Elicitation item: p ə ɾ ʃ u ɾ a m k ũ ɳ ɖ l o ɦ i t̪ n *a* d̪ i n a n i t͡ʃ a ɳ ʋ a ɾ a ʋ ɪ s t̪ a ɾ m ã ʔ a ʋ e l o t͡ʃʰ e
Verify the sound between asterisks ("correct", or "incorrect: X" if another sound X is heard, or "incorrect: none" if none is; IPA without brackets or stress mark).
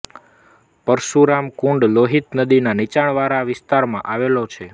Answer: incorrect: ə